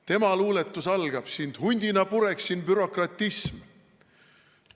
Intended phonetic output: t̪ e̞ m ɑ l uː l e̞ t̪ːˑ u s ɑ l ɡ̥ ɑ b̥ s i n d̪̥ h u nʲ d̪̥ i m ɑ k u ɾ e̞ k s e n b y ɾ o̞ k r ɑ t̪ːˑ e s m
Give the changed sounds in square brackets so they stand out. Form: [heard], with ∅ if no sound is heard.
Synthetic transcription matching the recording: t̪ e̞ m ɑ l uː l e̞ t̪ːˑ u s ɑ l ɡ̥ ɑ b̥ s i n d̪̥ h u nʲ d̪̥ i [n] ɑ [p] u ɾ e̞ k s [i] n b y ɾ o̞ k r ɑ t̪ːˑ [i] s m